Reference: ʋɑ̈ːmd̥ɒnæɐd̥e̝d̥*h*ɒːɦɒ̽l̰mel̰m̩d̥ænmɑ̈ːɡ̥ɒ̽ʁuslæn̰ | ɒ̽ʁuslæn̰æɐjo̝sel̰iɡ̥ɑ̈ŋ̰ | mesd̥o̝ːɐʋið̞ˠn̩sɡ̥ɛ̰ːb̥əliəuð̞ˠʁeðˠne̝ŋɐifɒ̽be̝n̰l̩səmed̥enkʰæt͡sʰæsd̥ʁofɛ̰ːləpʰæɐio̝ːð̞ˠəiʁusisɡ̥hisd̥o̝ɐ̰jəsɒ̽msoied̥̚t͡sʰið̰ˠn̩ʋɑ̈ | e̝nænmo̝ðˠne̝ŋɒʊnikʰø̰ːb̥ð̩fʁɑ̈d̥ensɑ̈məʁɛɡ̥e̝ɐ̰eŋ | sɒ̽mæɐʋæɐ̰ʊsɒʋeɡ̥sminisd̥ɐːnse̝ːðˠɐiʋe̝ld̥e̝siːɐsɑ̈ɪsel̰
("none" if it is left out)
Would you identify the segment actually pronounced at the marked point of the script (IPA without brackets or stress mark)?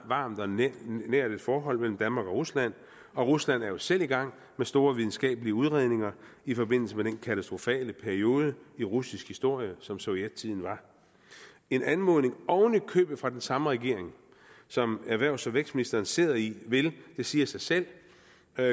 f